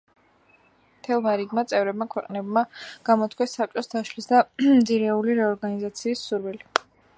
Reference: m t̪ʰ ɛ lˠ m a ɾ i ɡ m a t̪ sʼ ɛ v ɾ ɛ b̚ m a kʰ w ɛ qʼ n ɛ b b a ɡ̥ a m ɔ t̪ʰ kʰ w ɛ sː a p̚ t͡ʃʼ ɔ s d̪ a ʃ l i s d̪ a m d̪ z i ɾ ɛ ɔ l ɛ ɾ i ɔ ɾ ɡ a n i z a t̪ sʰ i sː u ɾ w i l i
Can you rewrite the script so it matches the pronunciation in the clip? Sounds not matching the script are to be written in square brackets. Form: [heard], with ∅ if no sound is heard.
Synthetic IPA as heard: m t̪ʰ ɛ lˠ m a ɾ i ɡ m a t̪ sʼ ɛ v ɾ ɛ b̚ m a kʰ w ɛ qʼ n ɛ b [m] a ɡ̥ a m ɔ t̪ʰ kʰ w ɛ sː a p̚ t͡ʃʼ ɔ s d̪ a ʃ l i s d̪ a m d̪ z i ɾ ɛ [u] l [i] ɾ [ɛ] ɔ ɾ ɡ a n i z a t̪ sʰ [iː] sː u ɾ w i l i